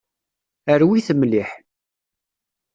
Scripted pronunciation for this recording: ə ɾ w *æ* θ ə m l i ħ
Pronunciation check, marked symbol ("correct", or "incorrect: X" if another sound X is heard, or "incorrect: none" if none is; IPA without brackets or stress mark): incorrect: i